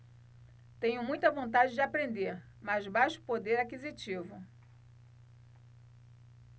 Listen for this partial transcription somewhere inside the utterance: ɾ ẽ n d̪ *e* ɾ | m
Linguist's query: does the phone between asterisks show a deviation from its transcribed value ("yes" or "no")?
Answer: no